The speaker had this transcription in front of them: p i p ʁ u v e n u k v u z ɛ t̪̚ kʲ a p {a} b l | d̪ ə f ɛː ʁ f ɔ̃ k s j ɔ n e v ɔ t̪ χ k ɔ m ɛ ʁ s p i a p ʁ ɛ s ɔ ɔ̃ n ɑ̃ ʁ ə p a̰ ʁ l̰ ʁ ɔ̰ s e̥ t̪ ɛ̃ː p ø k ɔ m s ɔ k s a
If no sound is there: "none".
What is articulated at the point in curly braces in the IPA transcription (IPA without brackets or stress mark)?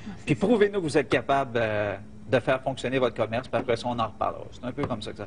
a